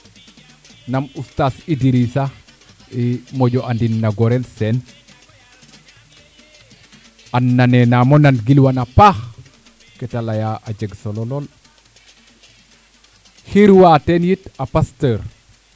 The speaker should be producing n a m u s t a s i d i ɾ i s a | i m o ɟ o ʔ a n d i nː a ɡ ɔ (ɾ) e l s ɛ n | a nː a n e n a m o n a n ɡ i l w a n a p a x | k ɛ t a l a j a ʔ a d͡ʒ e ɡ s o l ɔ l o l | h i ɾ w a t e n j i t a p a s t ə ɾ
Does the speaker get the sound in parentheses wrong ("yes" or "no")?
no